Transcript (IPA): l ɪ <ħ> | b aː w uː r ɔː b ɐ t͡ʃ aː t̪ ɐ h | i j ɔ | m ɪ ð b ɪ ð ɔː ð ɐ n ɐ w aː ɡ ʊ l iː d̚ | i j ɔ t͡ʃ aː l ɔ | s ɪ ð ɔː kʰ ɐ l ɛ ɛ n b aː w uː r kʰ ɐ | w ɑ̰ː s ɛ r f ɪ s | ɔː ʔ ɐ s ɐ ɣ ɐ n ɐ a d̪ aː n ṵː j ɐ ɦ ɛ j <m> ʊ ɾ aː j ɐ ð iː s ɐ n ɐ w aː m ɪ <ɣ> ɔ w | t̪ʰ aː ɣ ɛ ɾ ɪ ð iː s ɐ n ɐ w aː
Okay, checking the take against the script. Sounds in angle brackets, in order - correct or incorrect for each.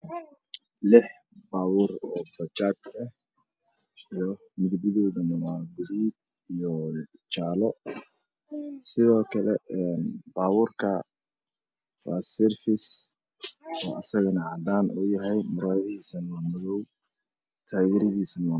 correct, correct, incorrect: ð

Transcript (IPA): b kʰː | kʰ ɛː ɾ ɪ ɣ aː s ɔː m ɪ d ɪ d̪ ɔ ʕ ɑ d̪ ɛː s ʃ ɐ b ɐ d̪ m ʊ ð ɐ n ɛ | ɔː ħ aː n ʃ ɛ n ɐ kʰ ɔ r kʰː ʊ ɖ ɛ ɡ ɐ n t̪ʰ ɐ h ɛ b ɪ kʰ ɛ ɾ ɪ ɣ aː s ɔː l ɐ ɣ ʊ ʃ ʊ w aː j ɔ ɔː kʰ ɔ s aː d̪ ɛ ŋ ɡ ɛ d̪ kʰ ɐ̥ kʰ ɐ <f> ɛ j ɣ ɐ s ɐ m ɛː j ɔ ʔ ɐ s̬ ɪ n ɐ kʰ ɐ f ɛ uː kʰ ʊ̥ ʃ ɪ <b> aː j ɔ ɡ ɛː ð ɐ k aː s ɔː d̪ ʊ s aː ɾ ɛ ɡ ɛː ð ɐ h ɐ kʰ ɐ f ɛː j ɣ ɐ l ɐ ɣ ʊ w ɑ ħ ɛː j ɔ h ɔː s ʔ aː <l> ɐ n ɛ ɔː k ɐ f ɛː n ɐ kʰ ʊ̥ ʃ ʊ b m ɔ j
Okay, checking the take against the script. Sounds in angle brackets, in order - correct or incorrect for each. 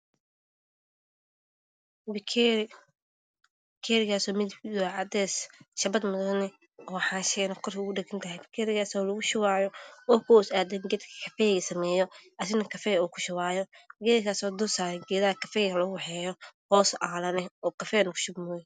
correct, incorrect: w, correct

